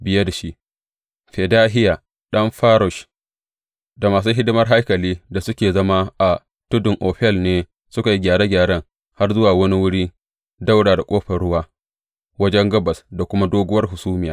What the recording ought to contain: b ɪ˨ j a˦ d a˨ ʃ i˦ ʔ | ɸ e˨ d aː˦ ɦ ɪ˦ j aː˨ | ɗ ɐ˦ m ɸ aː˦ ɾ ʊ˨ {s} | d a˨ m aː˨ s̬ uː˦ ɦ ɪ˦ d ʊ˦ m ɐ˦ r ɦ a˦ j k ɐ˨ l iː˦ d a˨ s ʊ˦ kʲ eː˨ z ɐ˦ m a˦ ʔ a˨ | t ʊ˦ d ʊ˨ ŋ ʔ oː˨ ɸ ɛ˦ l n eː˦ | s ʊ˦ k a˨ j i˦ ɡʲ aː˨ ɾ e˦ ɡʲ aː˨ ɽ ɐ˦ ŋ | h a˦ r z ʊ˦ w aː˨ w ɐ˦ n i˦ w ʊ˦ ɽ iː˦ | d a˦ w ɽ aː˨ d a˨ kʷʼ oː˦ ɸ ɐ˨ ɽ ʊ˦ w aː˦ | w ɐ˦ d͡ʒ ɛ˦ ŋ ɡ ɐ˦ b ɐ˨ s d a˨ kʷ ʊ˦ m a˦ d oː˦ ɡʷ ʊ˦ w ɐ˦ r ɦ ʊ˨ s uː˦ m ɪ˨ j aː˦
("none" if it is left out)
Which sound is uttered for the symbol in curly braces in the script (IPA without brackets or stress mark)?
ʃ